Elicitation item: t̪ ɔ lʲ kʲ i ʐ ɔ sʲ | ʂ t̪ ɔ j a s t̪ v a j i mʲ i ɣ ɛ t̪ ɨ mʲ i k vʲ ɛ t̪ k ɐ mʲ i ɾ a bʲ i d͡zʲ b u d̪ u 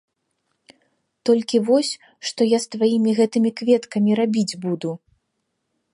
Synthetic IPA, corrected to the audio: t̪ ɔ lʲ kʲ i v ɔ sʲ | ʂ t̪ ɔ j a s t̪ v a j i mʲ i ɣ ɛ t̪ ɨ mʲ i k vʲ ɛ t̪ k ɐ mʲ i ɾ a bʲ i d͡zʲ b u d̪ u